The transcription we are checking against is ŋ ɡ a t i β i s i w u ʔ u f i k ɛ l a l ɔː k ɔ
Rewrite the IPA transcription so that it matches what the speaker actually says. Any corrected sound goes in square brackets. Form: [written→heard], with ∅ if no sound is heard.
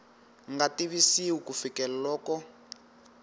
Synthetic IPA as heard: ŋ ɡ a t i β i s i w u [ʔ→k] u f i k ɛ l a l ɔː k ɔ